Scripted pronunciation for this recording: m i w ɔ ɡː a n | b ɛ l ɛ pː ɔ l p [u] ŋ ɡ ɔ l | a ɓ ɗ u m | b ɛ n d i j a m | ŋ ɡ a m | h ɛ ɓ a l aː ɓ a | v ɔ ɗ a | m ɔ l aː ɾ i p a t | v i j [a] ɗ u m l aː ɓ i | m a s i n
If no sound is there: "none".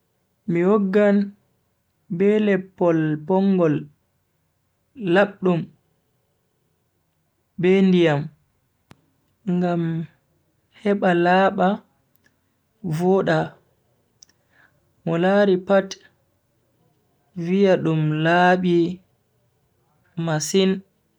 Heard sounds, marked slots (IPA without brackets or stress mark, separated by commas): ɔ, a